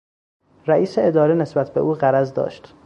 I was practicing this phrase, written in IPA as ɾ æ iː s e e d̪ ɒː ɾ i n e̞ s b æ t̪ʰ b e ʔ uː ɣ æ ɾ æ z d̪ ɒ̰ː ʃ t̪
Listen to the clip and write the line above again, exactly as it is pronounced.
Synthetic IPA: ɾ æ iː s e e d̪ ɒː ɾ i n e̞ s b æ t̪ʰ b e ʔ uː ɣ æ ɾ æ z d̪ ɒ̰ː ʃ t̪